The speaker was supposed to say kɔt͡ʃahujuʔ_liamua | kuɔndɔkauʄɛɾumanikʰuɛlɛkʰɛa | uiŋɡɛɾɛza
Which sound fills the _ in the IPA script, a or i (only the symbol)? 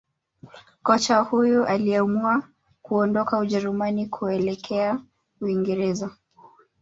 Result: a